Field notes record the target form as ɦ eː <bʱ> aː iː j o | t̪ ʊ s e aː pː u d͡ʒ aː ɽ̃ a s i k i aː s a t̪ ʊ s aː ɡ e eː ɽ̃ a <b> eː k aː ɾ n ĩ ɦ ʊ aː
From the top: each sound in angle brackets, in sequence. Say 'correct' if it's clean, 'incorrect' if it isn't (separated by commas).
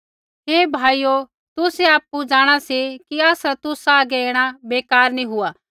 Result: correct, correct